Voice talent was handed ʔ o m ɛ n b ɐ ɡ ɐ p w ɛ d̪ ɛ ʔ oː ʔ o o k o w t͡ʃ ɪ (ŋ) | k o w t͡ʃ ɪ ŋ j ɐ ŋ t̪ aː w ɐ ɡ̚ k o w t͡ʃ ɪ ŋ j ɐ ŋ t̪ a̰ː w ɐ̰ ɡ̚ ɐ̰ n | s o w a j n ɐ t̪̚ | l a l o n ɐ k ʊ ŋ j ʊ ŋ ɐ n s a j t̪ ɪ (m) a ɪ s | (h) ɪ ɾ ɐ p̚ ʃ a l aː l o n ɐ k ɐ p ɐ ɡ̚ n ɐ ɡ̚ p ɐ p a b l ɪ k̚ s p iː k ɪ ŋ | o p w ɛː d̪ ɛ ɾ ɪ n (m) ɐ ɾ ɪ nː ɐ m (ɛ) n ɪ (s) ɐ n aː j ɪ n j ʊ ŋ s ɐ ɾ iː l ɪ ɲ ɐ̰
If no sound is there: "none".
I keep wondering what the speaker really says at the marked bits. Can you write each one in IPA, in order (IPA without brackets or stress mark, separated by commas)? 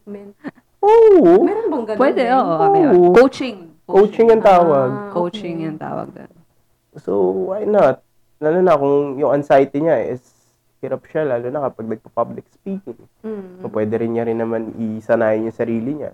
ŋ, ɲ, h, ɲ, a, s